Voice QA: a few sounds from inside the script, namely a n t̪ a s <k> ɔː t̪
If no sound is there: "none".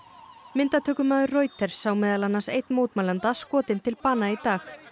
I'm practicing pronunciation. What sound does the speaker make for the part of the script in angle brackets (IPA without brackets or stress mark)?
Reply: k